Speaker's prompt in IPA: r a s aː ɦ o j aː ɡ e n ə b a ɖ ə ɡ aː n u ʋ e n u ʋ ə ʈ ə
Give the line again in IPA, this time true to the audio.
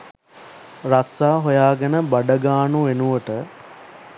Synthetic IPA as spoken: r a s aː ɦ o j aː ɡ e n ə b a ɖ ə ɡ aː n u ʋ e n u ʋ ə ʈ ə